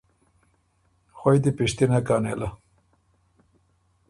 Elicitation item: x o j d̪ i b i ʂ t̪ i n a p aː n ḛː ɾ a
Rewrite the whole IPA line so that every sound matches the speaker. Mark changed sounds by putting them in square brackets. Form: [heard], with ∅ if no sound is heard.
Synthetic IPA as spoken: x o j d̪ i [p] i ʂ t̪ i n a [k] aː n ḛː [l] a